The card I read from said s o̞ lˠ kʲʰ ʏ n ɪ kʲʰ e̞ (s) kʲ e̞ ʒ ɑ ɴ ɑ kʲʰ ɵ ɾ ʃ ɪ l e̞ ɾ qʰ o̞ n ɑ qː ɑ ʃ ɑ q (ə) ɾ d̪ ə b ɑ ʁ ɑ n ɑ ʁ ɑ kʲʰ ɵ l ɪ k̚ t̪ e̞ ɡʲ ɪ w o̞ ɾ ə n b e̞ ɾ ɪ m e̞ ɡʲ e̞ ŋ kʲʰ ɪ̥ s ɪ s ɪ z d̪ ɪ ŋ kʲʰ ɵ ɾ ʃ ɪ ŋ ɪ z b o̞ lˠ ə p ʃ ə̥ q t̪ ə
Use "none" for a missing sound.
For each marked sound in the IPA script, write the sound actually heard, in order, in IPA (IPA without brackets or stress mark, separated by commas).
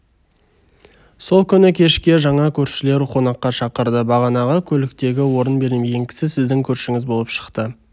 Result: ʃ, ə